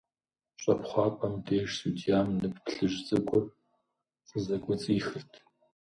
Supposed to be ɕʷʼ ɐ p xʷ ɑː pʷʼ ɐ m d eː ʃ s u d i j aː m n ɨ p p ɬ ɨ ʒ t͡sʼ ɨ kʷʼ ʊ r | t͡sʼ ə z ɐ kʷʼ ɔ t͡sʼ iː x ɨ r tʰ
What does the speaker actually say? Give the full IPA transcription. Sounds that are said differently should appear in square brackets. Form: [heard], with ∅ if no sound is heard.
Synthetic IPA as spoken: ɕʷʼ ɐ p [χʷ] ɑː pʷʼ ɐ m d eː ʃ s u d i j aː m n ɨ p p ɬ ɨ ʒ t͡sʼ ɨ kʷʼ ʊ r | t͡sʼ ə z ɐ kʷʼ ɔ t͡sʼ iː x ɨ r tʰ

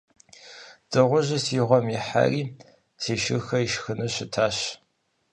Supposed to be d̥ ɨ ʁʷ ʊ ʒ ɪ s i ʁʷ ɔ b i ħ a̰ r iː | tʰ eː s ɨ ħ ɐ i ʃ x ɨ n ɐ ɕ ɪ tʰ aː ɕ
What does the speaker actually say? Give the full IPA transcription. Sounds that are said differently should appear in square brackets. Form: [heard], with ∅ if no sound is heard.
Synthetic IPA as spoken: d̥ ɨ ʁʷ ʊ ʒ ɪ s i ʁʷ ɔ [m] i ħ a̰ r iː | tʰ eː [ʃ] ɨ [x] ɐ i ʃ x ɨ n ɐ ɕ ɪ tʰ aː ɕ

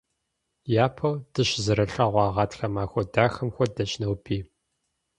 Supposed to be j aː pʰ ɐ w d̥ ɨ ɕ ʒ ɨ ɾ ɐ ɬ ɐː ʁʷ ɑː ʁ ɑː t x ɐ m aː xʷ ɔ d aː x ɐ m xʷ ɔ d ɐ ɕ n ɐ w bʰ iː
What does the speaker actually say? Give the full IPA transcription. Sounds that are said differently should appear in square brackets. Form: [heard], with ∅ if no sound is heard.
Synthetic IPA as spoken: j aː pʰ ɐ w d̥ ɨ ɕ [z] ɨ ɾ ɐ ɬ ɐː ʁʷ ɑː ʁ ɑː t x ɐ m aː xʷ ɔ d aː x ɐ m xʷ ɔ d ɐ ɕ n ɐ w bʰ iː

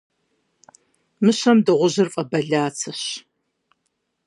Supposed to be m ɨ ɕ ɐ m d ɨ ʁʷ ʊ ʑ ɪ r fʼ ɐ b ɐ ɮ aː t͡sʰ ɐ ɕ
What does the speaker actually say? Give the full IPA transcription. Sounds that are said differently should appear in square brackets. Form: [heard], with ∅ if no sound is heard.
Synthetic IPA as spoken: m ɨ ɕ ɐ m d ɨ ʁʷ ʊ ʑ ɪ r fʼ ɐ b ɐ ɮ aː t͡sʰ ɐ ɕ

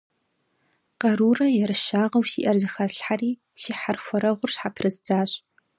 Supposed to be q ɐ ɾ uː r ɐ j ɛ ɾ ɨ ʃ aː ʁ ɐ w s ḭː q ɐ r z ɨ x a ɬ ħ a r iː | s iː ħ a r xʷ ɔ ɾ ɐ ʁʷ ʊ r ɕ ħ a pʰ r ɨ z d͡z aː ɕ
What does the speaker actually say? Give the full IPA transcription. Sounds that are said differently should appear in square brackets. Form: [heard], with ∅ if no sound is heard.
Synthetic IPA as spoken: q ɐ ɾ uː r ɐ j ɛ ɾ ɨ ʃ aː ʁ ɐ w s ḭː [ʔ] ɐ r z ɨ x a ɬ ħ a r iː | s iː ħ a r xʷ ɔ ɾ ɐ ʁʷ ʊ r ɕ ħ a pʰ r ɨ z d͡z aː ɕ

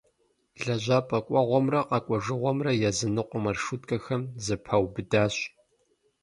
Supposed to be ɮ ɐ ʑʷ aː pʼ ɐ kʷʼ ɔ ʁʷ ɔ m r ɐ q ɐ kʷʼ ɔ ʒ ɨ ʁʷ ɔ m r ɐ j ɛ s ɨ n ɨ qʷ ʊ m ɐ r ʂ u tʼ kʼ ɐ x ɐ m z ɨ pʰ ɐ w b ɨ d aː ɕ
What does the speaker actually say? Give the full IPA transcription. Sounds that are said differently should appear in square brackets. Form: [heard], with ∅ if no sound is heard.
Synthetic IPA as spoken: ɮ ɐ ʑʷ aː pʼ ɐ kʷʼ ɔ ʁʷ ɔ m r ɐ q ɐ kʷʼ ɔ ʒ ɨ ʁʷ ɔ m r ɐ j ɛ [z] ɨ n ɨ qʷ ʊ m ɐ r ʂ u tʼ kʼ ɐ x ɐ m z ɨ pʰ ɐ w b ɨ d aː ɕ

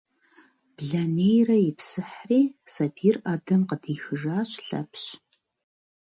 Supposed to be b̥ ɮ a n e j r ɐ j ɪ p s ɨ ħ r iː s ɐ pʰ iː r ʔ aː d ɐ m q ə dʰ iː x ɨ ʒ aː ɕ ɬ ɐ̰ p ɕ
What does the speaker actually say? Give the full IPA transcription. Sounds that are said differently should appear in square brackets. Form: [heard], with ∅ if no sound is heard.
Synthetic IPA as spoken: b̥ ɮ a n e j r ɐ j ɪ p s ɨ ħ r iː s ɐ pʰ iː r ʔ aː d ɐ m q ə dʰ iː x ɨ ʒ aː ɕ ɬ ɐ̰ p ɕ

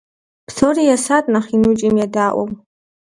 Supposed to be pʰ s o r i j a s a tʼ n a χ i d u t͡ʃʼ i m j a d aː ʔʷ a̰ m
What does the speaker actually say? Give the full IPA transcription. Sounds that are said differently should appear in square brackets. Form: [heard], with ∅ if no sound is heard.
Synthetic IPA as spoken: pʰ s o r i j a s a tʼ n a χ i [n] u t͡ʃʼ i m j a d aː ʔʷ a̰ m

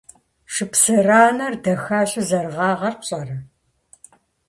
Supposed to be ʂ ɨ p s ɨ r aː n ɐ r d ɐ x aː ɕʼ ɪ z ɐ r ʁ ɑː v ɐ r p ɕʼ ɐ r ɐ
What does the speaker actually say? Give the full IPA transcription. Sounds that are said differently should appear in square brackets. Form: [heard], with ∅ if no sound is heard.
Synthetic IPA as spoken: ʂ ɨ p s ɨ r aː n ɐ r d ɐ x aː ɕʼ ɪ z ɐ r ʁ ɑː [ʁ] ɐ r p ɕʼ ɐ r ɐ

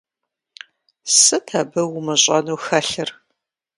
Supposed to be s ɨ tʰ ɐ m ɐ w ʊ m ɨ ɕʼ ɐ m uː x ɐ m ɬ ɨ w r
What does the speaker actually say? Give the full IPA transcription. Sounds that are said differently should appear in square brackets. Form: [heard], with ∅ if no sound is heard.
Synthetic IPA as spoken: s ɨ tʰ ɐ [b] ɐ w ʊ m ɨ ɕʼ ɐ [n] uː x ɐ [∅] ɬ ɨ [∅] r

